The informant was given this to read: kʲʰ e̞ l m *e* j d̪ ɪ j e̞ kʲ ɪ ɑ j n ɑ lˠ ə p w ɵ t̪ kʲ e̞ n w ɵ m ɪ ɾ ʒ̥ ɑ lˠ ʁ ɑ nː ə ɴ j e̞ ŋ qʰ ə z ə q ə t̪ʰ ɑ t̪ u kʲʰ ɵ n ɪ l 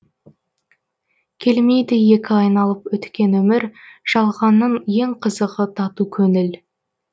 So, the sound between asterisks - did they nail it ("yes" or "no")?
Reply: yes